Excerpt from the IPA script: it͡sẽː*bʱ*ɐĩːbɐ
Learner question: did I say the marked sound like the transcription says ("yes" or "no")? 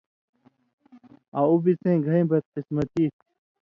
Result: no